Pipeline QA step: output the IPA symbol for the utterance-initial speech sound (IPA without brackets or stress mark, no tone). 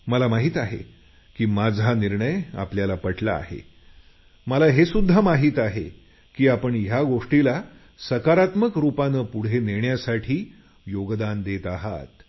m